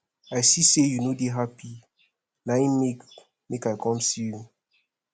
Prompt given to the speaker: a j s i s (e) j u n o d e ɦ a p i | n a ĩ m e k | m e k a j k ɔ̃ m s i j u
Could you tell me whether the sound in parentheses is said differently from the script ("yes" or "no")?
no